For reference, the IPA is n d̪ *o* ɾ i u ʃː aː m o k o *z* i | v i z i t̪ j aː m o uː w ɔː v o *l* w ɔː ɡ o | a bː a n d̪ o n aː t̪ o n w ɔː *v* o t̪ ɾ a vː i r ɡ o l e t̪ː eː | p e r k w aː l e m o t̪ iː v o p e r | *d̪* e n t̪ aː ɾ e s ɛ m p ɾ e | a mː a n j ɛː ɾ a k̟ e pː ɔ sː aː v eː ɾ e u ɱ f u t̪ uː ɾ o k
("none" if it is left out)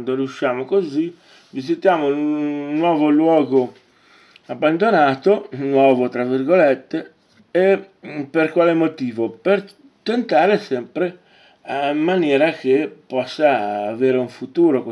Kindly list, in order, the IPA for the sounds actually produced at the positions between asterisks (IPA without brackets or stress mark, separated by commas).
o, z, l, v, t̪